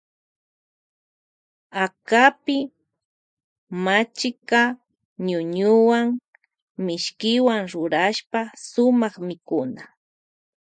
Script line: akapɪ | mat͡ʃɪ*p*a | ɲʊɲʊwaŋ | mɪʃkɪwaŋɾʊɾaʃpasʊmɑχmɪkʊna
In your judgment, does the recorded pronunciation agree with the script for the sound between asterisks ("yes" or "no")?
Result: no